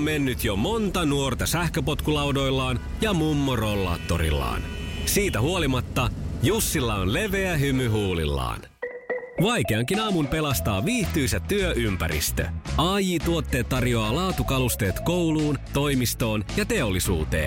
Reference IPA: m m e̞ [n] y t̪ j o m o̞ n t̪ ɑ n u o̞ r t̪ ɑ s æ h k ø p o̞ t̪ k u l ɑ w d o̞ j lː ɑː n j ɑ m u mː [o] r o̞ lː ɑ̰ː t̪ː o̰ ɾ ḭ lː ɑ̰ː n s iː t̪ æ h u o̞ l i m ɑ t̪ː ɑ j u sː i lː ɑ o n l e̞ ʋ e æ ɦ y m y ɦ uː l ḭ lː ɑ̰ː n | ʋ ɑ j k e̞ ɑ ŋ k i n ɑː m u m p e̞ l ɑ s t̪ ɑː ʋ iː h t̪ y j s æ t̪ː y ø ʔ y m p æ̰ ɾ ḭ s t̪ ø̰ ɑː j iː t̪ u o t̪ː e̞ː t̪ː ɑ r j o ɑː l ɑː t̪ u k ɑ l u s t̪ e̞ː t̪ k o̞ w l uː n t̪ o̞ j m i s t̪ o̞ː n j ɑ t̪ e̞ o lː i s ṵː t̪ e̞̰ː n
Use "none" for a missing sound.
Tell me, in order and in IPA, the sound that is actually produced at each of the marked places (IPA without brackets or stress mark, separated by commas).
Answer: nː, o